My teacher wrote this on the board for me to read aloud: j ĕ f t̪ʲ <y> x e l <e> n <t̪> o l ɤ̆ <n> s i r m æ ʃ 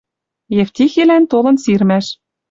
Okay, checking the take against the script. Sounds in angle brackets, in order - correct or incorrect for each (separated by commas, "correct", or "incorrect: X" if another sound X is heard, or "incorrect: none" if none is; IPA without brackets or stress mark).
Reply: incorrect: i, incorrect: æ, correct, correct